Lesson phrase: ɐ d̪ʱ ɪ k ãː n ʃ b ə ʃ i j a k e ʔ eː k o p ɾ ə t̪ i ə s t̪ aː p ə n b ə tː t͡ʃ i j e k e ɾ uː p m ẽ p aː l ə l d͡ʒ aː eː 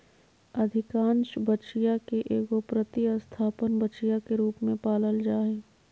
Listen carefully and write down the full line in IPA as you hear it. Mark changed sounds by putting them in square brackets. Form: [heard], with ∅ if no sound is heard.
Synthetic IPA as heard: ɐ d̪ʱ ɪ k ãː n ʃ b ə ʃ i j a k e ʔ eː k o p ɾ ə t̪ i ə s [t̪ʰ] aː p ə n b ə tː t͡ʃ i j [a] k e ɾ uː p m ẽ p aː l ə l d͡ʒ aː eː